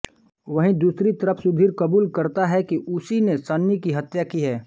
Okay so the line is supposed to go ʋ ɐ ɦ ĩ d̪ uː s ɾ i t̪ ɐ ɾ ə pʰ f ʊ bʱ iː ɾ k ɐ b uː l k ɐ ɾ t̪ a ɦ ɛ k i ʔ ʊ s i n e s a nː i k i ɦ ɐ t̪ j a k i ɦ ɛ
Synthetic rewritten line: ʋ ɐ ɦ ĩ d̪ uː s ɾ i t̪ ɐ ɾ ə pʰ s ʊ bʱ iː ɾ k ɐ b uː l k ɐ ɾ t̪ a ɦ ɛ k i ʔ ʊ s i n e s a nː i k i ɦ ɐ t̪ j a k i ɦ ɛː

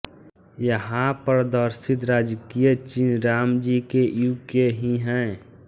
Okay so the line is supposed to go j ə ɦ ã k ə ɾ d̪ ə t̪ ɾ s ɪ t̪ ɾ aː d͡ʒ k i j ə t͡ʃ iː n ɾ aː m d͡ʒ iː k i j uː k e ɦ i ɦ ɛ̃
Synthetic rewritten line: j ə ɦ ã p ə ɾ d̪ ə ɾ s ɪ t̪ ɾ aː d͡ʒ k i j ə t͡ʃ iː n ɾ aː m d͡ʒ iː k e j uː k e ɦ i ɦ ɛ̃

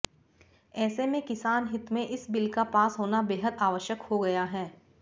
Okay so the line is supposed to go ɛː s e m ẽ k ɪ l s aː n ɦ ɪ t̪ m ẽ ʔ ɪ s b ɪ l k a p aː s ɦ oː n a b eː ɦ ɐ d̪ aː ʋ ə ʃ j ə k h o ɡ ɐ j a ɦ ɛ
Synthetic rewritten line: ɛː s e m ẽ k ɪ s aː n ɦ ɪ t̪ m ẽ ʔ ɪ s b ɪ l k a p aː s ɦ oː n a b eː ɦ ə d̪ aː ʋ ə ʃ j ə k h o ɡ ɐ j a ɦ ɛː

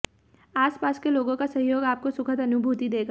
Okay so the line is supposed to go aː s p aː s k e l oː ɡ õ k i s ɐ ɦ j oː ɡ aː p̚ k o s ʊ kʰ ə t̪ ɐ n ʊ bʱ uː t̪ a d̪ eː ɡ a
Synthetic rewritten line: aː s p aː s k e l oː ɡ õ k a s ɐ ɦ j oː ɡ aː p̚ k o s ʊ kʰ ə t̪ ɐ n ʊ bʱ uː t̪ i d̪ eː ɡ a

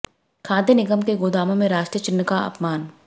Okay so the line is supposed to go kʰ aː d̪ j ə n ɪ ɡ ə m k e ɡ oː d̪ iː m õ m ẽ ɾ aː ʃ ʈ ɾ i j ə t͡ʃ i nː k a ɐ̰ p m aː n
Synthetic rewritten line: kʰ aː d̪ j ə n ɪ ɡ ə m k e ɡ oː d̪ aː m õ m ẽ ɾ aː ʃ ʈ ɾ i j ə t͡ʃ ɪ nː k a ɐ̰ p m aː n

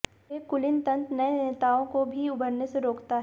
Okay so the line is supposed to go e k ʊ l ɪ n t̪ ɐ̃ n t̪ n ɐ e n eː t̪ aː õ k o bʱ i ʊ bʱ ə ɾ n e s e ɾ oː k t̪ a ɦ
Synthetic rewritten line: e k ʊ l ɪ n t̪ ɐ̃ n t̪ n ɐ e n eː t̪ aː õ k o bʱ i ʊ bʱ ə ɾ n e s e ɾ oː k t̪ a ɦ

